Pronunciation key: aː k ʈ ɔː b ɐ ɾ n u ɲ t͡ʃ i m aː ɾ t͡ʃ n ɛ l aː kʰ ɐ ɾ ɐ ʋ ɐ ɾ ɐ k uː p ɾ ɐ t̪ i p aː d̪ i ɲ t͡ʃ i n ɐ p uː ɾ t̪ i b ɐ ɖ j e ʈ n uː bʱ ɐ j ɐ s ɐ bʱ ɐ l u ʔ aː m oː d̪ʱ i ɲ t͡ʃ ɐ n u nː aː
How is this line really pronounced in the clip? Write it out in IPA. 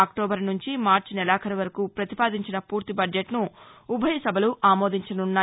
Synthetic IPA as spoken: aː k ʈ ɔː b ɐ ɾ n u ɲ t͡ʃ i m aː ɾ t͡ʃ n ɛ l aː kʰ ɐ ɾ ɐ ʋ ɐ ɾ ɐ k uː p ɾ ɐ t̪ i p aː d̪ i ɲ t͡ʃ i n ɐ p uː ɾ t̪ i b ɐ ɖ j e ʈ n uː bʱ ɐ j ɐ s ɐ bʱ ɐ l u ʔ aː m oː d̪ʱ i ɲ t͡ʃ ɐ n u nː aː

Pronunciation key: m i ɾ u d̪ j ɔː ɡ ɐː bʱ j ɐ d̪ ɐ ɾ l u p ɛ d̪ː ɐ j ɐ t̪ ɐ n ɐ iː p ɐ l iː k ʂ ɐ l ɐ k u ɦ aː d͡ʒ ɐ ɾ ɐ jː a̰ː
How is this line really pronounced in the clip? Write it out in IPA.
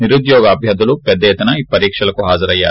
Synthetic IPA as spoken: n i ɾ u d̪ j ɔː ɡ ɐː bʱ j ɐ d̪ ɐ l u p ɛ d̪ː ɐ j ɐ t̪ ɐ n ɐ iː p ɐ ɾ iː k ʂ ɐ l ɐ k u ɦ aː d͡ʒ ɐ ɾ ɐ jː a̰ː

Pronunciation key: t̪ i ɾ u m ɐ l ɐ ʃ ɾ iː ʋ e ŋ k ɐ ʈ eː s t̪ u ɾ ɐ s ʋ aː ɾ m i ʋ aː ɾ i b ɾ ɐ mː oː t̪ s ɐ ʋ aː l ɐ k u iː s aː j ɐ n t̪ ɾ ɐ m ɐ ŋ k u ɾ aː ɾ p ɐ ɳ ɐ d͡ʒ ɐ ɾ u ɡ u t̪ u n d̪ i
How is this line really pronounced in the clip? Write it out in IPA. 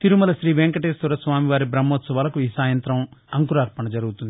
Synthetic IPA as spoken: t̪ i ɾ u m ɐ l ɐ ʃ ɾ iː ʋ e ŋ k ɐ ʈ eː s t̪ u ɾ ɐ s ʋ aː m i ʋ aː ɾ i b ɾ ɐ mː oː t̪ s ɐ ʋ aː l ɐ k u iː s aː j ɐ n t̪ ɾ ɐ m ɐ ŋ k u ɾ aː ɾ p ɐ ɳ ɐ d͡ʒ ɐ ɾ u ɡ u t̪ u n d̪ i

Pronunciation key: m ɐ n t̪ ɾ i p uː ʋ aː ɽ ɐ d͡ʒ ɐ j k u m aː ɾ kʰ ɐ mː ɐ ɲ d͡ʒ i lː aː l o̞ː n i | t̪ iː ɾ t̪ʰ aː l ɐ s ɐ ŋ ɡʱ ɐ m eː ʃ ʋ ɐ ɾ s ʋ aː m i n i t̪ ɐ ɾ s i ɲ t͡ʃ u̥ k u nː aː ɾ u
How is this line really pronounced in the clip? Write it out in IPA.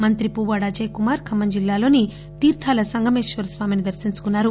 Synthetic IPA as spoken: m ɐ n t̪ ɾ i p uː ʋ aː ɽ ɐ d͡ʒ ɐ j k u m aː ɾ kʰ ɐ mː ɐ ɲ d͡ʒ i lː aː l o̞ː n i | t̪ iː ɾ t̪ʰ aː l ɐ s ɐ ŋ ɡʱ ɐ m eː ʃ ʋ ɐ ɾ s ʋ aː m i n i d̪ ɐ ɾ s i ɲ t͡ʃ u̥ k u nː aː ɾ u

